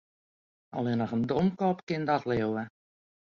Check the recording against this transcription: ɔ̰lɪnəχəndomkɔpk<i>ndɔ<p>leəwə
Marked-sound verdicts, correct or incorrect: incorrect: ɪ, incorrect: t

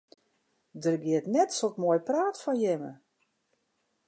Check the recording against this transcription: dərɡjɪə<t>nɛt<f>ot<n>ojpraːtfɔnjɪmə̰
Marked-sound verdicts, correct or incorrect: correct, incorrect: s, incorrect: m

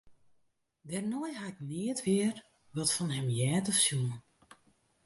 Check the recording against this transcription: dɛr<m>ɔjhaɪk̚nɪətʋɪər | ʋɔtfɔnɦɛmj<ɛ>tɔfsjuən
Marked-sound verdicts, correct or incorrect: incorrect: n, incorrect: ɛː

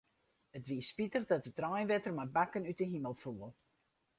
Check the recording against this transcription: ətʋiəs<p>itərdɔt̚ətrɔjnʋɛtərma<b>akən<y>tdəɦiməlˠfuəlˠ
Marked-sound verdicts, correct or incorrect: correct, correct, correct

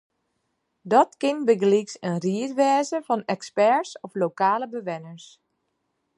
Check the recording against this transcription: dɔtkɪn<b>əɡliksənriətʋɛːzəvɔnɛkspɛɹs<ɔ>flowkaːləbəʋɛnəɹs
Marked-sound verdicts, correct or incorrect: correct, correct

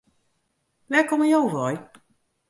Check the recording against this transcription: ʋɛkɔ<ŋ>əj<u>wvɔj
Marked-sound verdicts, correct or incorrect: incorrect: m, incorrect: o

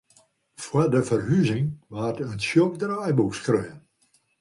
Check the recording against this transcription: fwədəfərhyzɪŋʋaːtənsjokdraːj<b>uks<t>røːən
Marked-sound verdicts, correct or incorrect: correct, incorrect: k

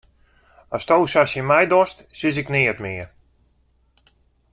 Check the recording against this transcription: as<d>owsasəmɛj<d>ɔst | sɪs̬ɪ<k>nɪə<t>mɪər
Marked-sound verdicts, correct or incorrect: incorrect: t, correct, correct, correct

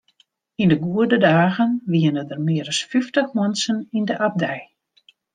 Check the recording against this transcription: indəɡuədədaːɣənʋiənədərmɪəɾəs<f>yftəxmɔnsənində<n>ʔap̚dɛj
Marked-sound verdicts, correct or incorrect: correct, incorrect: none

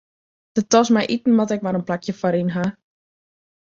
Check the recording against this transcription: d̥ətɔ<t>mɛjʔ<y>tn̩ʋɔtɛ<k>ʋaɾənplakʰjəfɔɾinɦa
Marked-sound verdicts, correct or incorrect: incorrect: s, incorrect: i, correct

